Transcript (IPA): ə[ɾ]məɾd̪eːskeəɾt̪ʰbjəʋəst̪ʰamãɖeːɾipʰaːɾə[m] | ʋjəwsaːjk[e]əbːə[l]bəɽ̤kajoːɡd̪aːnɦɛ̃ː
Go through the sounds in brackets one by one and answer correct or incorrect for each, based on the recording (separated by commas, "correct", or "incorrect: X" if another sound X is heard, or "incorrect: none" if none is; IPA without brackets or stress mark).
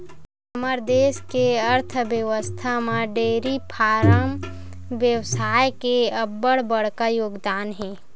incorrect: none, correct, correct, incorrect: ɽ